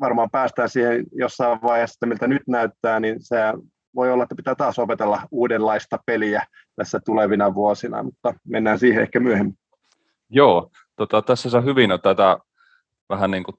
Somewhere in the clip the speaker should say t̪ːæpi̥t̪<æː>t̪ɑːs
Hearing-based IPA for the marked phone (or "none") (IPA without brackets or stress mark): æː